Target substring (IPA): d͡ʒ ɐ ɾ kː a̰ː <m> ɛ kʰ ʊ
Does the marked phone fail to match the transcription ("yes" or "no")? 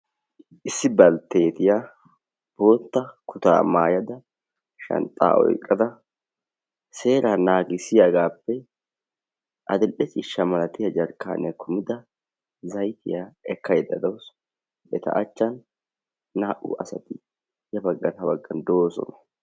yes